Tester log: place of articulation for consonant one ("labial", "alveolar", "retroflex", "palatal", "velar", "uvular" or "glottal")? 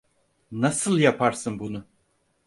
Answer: alveolar